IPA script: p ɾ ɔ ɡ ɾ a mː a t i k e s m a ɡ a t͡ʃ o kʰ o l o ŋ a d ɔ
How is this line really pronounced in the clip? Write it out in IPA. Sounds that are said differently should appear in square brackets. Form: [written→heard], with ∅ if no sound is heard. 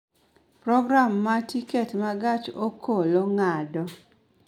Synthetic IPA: p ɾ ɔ ɡ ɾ a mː a t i k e [s→t] m a ɡ a t͡ʃ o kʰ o l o ŋ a d ɔ

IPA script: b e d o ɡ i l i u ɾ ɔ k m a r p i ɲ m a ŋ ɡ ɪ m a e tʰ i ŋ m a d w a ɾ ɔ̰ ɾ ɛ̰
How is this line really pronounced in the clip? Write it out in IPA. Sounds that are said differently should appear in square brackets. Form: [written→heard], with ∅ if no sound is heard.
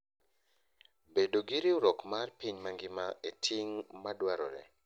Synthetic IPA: b e d o ɡ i [l→ɾ] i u ɾ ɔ k m a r p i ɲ m a ŋ ɡ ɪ m a e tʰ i ŋ m a d w a ɾ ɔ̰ ɾ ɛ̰

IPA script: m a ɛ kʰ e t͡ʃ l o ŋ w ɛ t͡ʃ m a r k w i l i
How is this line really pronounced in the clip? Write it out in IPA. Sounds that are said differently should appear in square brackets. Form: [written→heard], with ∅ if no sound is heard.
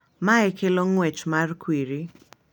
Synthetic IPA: m a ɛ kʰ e [t͡ʃ→∅] l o ŋ w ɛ t͡ʃ m a r k w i [l→ɾ] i

